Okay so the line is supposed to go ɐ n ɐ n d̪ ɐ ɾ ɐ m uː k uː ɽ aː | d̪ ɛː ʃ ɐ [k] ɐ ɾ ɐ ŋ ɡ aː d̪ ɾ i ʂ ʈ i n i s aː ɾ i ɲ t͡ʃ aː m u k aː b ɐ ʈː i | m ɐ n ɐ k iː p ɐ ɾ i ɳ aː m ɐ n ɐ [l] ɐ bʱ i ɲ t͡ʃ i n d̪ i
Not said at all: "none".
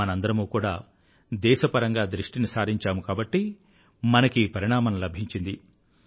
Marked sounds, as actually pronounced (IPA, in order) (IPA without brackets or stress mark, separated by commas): p, l